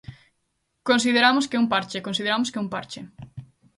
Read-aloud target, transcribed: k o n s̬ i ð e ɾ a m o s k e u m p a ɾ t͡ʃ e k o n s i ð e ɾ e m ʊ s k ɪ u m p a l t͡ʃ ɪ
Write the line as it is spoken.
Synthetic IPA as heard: k o n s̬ i ð e ɾ a m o s k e u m p a ɾ t͡ʃ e k o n s i ð e ɾ a m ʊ s k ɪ u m p a ɾ t͡ʃ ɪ